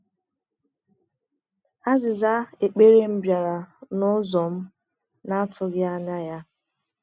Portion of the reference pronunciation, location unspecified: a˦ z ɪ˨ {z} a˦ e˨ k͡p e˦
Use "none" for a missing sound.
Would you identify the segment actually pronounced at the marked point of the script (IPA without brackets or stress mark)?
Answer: z